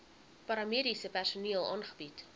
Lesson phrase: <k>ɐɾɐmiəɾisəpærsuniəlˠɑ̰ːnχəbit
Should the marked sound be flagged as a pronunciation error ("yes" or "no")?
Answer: yes